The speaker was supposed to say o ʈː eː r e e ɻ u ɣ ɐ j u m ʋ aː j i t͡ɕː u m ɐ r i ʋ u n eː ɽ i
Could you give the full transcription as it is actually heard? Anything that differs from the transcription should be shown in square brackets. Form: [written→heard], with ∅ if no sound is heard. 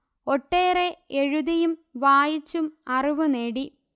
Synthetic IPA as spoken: o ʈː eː r e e ɻ u [ɣ→ð] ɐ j u m ʋ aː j i t͡ɕː u m ɐ r i ʋ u n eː ɽ i